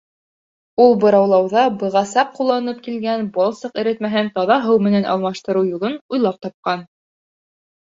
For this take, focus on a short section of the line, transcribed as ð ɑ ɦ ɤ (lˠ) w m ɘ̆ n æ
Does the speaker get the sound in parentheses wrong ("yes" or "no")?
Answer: yes